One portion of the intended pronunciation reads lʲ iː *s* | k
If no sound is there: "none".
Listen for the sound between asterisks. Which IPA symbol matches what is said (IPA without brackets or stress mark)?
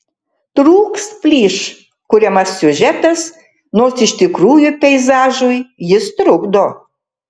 ʃ